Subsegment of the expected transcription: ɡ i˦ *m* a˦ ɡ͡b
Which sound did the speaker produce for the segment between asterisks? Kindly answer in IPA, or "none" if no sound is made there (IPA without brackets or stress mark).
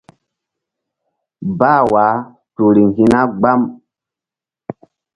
n